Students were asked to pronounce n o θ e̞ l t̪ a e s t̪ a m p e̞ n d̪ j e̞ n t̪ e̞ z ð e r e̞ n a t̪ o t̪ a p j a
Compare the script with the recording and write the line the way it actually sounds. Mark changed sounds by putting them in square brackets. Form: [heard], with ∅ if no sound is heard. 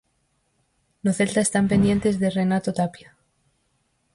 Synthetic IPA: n o θ e̞ l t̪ a e s t̪ a m p e̞ n d̪ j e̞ n t̪ e̞ z ð e r e̞ n a t̪ o t̪ a p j a